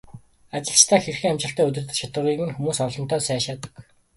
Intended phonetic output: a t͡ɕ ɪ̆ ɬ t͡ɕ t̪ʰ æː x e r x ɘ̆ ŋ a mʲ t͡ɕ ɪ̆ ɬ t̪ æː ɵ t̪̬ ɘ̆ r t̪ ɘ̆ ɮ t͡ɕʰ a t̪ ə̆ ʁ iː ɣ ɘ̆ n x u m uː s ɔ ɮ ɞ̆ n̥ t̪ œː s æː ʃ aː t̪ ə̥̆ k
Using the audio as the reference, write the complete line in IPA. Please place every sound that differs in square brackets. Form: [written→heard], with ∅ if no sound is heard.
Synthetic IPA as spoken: a t͡ɕ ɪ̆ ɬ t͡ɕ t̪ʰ æː x e r x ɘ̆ ŋ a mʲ t͡ɕ ɪ̆ ɬ t̪ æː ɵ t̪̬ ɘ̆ r t̪ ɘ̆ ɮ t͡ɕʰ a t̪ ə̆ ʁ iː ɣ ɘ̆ n x u m uː s ɔ ɮ ɞ̆ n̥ t̪ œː s æː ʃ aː t̪ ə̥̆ k